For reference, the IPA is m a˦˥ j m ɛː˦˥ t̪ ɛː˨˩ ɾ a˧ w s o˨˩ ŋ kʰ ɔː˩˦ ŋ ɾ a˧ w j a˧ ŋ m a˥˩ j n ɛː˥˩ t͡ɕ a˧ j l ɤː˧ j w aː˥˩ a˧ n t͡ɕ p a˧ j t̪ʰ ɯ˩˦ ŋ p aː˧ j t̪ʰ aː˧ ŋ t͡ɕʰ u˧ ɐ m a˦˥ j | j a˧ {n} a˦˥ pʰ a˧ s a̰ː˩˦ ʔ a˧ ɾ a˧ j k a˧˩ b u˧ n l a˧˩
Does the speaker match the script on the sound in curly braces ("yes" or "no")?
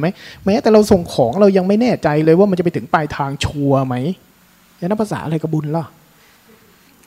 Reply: yes